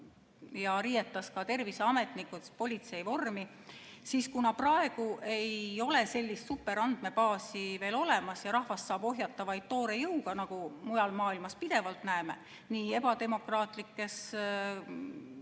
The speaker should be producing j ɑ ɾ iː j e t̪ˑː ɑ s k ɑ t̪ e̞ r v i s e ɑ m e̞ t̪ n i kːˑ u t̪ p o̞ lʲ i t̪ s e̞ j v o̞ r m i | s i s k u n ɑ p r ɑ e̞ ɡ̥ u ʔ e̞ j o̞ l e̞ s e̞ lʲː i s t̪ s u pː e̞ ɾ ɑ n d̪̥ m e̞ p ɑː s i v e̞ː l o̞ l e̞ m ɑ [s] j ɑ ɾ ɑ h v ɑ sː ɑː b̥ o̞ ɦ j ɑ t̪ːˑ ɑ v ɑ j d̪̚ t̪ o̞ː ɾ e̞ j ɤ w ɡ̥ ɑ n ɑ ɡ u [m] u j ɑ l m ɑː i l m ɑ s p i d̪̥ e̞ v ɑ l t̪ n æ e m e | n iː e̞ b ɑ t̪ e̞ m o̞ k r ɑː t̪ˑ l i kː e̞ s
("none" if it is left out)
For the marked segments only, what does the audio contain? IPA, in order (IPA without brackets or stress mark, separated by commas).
s, m